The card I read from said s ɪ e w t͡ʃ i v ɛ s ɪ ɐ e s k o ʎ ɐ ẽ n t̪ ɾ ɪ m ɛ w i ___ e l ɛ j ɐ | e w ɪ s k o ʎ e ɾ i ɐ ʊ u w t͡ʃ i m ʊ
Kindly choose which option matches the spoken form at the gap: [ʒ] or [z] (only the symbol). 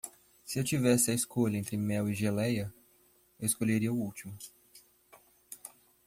ʒ